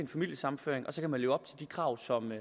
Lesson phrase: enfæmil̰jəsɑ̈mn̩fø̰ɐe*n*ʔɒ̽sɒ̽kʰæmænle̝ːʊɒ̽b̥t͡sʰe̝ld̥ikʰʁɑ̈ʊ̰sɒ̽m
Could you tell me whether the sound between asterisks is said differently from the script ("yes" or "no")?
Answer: yes